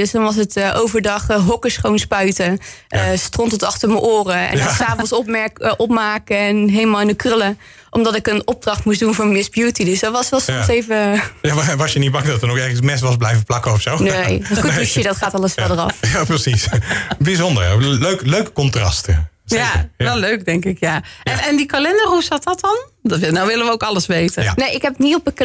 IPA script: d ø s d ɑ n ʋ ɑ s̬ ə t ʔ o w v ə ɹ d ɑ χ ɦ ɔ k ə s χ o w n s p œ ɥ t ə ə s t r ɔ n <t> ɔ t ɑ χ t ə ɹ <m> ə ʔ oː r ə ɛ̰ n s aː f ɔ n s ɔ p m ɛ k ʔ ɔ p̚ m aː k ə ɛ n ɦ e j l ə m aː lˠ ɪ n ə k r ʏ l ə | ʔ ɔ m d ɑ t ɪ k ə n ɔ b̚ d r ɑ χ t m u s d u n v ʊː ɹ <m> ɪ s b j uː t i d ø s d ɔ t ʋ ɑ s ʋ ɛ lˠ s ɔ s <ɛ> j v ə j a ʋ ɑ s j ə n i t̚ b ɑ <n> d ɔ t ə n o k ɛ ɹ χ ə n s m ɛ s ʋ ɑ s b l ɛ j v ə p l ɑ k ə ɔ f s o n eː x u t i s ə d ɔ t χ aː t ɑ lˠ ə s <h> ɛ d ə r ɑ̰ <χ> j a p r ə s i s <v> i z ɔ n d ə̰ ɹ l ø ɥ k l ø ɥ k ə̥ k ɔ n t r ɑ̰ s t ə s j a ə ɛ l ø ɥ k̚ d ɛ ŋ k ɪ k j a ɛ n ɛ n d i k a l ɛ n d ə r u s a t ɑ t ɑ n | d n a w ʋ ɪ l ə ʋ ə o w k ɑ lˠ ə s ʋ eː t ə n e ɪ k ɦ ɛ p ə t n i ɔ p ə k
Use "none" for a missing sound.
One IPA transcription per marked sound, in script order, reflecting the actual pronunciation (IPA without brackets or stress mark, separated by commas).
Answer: t, m, m, e, ŋ, f, f, b